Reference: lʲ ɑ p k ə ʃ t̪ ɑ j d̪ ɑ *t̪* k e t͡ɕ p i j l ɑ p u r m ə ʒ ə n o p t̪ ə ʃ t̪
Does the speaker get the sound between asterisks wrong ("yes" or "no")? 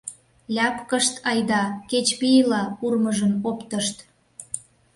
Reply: yes